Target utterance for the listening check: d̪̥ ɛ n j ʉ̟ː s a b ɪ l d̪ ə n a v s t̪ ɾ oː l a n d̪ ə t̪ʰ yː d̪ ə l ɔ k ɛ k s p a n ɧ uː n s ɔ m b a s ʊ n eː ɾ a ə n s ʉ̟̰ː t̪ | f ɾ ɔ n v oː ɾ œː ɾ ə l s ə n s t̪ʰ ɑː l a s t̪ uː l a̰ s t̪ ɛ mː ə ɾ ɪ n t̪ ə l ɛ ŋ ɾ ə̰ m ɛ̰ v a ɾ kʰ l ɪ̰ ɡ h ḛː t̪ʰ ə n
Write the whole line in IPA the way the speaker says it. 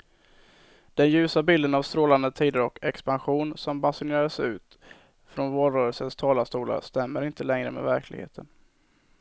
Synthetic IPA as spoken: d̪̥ ɛ n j ʉ̟ː s a b ɪ l d̪ ə n a v s t̪ ɾ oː l a n d̪ ə t̪ʰ iː d̪ ə ɾ ɔ k ɛ k s p a n ɧ uː n s ɔ m b a s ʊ n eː ɾ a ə s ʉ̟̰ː t̪ | f ɾ ɔ n v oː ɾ œː ɾ ə l s ə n s t̪ʰ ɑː l a s t̪ uː l a̰ s t̪ ɛ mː ə ɾ ɪ n t̪ ə l ɛ ŋ ɾ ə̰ m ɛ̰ v æ ɾ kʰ l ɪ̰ ɡ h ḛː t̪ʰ ə n